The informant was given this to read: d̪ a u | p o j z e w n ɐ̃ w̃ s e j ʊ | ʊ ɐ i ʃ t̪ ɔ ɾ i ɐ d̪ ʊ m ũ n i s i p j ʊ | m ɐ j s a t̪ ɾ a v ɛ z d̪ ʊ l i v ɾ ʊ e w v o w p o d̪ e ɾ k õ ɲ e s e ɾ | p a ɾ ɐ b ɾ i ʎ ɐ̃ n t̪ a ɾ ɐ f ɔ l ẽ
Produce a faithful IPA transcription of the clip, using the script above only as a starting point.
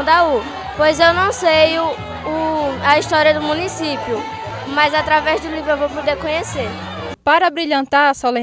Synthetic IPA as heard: d̪ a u | p o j z e w n ɐ̃ w̃ s e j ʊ | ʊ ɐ i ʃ t̪ ɔ ɾ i ɐ d̪ ʊ m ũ n i s i p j ʊ | m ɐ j z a t̪ ɾ a v ɛ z d̪ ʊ l i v ɾ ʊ e w v o w p o d̪ e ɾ k õ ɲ e s e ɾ | p a ɾ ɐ b ɾ i ʎ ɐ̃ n t̪ a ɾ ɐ s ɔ l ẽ